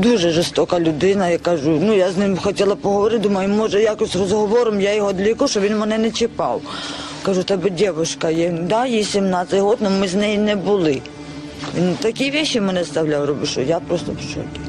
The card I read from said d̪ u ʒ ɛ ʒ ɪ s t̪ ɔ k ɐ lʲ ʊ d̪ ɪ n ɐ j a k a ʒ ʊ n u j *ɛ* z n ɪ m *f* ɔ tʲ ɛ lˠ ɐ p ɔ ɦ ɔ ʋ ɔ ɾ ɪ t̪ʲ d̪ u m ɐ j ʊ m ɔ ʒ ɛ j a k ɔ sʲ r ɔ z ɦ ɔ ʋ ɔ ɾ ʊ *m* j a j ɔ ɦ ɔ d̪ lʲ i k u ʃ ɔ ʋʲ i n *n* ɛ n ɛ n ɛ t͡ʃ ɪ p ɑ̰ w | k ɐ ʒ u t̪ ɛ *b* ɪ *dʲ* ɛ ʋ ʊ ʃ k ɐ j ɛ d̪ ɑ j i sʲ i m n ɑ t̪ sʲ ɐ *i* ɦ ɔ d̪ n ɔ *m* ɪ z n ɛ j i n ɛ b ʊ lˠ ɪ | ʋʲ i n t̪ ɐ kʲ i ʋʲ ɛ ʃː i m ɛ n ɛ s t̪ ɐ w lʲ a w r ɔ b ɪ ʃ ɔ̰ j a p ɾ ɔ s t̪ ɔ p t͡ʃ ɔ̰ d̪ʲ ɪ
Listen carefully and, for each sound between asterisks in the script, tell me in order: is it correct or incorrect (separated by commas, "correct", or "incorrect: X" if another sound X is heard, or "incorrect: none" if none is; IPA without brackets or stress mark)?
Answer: incorrect: a, incorrect: x, correct, incorrect: m, correct, correct, incorrect: j, correct